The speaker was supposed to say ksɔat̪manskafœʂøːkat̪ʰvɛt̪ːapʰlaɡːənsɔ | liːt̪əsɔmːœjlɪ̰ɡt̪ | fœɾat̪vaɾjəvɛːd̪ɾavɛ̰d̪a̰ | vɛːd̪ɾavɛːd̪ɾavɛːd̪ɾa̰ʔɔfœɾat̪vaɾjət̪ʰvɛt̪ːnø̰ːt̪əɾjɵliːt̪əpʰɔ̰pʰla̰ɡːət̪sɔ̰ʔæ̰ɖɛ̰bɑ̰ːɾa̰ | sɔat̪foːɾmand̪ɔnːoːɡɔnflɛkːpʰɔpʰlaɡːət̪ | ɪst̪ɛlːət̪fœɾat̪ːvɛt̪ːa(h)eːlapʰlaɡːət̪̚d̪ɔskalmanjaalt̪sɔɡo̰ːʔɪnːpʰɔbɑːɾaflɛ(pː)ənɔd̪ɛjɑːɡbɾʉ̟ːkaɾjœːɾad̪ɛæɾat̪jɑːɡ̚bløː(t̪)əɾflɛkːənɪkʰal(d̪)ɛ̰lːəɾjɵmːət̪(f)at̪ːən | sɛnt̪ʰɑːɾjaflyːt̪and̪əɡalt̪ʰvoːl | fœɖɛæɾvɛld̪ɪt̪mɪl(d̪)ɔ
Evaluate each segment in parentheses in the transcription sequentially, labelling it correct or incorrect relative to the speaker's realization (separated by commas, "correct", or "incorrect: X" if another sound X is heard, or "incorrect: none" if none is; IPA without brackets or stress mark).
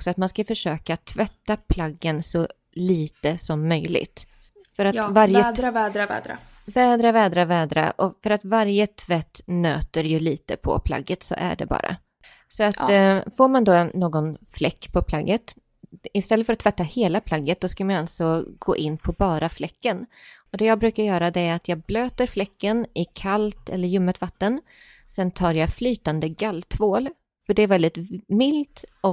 correct, incorrect: kː, correct, incorrect: t̪, incorrect: v, incorrect: t̪